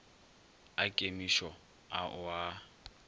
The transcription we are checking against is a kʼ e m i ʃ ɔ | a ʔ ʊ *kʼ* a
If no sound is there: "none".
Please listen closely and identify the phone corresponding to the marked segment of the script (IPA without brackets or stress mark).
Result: none